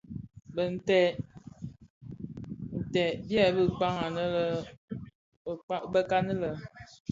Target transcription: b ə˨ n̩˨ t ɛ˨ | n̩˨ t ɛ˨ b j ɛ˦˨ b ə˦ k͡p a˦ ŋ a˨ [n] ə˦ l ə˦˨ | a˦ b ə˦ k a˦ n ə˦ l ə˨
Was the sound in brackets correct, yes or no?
yes